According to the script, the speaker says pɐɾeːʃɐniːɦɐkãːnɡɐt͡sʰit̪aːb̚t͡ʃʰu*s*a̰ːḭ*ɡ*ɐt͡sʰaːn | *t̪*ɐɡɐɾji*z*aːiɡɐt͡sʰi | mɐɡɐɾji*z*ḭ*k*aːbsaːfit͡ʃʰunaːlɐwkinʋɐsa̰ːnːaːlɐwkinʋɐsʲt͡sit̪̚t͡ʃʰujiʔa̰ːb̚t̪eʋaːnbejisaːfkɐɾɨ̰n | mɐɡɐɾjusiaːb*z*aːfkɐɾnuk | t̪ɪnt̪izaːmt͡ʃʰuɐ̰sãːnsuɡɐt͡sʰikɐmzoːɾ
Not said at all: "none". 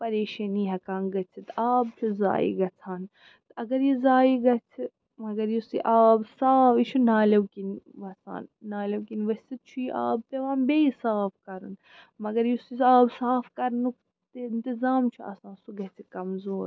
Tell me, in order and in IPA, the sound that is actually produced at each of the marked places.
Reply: z, ɡ, t̪, z, s, ʔ, s

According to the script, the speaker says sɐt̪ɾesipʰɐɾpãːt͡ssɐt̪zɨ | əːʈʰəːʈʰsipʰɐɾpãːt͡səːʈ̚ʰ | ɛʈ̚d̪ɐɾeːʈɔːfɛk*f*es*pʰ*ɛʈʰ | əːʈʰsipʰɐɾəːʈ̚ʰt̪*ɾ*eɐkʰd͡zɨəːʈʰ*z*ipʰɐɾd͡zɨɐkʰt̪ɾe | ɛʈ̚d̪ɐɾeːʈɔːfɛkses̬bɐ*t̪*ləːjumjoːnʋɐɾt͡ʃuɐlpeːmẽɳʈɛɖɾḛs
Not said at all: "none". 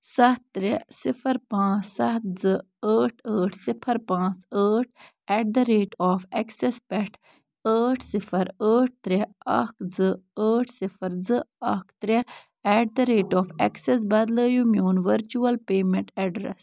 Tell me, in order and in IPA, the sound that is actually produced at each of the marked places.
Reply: s, p, ɾ, s, d̪

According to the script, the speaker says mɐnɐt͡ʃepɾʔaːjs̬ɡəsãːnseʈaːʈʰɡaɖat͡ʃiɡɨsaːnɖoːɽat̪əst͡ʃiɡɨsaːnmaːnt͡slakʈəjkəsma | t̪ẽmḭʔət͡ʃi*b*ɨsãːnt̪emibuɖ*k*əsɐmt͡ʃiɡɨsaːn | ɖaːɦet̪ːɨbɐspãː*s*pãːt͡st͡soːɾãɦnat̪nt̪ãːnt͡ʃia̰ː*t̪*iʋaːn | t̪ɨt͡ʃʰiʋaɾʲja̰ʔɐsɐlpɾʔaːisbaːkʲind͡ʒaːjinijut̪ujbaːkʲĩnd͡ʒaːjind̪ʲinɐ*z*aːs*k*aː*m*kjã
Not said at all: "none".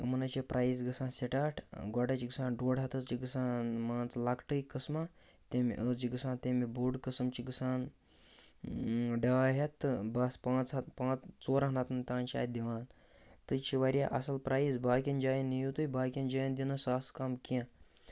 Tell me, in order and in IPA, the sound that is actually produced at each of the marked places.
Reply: ɡ, k, t͡s, d̪, s, k, m

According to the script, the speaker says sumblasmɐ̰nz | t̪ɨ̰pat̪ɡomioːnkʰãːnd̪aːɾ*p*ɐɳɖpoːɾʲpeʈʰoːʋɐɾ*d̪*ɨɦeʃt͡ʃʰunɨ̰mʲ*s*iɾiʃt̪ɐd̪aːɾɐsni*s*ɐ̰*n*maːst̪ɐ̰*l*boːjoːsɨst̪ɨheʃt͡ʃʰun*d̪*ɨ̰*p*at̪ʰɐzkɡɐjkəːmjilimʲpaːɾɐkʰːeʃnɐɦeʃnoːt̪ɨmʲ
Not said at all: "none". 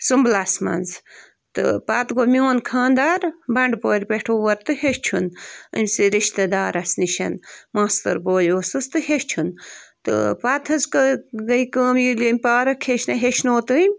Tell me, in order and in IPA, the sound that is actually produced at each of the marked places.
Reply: b, t̪, s, ʃ, n, ɾ, t̪, p

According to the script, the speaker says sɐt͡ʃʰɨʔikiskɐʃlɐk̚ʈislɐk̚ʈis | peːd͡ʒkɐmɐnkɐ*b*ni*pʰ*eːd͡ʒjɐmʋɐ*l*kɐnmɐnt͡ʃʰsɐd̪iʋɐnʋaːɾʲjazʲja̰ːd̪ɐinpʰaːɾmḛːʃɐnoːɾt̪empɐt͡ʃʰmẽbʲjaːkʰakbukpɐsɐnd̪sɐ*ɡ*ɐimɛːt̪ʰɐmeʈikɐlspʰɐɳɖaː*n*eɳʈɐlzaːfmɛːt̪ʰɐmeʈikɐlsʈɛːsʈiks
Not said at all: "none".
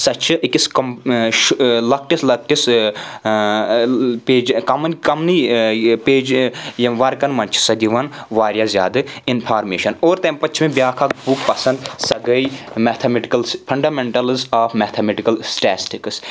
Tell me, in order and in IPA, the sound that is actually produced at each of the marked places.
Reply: m, p, ɾ, ɡ, m

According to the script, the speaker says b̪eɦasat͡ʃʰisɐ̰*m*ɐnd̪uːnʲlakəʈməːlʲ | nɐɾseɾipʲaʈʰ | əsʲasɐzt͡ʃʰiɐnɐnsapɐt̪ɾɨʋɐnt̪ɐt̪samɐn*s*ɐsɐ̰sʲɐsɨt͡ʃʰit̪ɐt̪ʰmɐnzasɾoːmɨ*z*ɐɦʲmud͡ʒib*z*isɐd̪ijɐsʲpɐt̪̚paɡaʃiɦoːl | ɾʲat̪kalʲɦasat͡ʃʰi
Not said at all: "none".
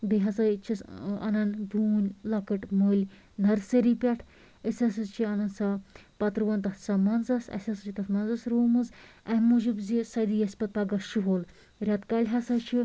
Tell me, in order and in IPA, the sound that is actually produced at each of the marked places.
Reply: n, z, z, z

